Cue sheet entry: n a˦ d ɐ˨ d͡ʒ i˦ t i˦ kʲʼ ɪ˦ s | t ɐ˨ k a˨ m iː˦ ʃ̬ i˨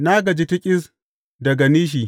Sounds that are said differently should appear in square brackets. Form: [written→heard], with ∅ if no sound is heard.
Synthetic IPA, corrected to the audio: n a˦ [d→ɡ] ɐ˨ d͡ʒ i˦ t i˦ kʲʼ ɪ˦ s | [t→d] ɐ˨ [k→ɡ] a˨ [m→n] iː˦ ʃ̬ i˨